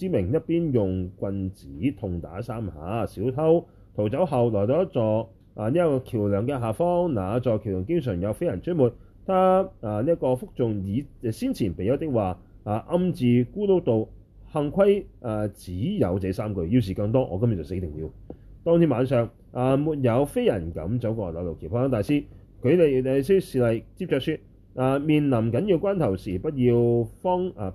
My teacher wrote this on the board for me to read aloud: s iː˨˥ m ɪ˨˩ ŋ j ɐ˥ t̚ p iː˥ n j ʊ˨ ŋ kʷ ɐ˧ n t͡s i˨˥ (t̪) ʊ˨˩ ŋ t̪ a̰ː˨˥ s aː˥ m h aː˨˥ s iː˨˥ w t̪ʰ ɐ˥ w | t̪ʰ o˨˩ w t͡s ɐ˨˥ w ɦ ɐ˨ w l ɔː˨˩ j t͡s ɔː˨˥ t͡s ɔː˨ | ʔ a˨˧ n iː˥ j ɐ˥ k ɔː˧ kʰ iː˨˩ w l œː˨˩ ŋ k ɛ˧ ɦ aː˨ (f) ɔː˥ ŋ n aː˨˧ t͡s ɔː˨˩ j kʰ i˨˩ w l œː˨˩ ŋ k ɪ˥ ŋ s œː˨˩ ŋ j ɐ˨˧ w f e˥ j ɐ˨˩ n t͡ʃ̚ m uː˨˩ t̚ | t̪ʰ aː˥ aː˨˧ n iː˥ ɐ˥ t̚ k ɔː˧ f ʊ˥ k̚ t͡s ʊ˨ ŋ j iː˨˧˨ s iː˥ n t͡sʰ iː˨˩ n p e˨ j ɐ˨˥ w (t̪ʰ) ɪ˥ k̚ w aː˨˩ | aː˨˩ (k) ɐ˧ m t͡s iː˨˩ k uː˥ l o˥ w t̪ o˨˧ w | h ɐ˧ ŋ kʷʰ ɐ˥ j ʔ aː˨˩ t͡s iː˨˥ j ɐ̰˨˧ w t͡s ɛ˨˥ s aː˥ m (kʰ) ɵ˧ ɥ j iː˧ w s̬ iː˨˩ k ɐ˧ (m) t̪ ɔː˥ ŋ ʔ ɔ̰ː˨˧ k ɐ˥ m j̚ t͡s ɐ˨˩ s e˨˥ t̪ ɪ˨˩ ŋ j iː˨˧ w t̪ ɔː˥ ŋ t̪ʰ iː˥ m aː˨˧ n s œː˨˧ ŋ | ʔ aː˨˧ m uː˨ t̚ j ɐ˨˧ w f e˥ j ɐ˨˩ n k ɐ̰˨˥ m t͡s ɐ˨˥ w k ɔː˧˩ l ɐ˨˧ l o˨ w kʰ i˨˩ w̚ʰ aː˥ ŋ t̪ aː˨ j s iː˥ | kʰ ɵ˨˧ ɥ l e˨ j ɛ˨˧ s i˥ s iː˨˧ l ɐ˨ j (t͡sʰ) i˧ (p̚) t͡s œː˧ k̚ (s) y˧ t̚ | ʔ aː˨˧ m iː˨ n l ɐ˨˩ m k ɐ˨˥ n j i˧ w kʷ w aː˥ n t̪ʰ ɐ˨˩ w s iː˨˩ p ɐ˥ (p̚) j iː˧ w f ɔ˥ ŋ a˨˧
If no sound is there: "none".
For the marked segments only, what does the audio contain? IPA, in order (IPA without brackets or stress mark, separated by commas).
t̪ʰ, f, t̪, ʔ, k, ŋ, t͡s, p̚, s, t̚